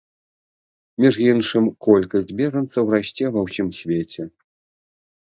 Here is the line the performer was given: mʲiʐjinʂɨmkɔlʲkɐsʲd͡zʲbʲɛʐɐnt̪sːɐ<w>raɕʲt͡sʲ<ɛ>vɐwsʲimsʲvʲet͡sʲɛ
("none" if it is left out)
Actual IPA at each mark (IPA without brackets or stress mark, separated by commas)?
w, ɛ